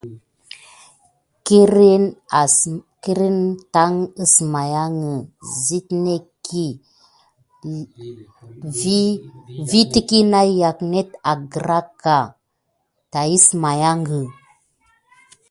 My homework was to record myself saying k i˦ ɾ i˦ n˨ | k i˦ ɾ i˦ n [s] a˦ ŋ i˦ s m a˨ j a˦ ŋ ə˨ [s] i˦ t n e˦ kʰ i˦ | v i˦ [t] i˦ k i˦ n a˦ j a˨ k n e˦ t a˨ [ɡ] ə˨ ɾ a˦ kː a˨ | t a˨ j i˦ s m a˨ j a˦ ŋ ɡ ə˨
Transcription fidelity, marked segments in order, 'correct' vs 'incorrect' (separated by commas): incorrect, incorrect, correct, correct